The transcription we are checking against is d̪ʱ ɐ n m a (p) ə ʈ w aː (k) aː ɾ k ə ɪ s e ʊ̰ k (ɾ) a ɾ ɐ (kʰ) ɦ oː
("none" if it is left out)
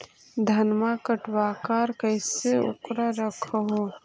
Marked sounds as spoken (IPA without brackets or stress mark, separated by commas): k, k, ɾ, kʰ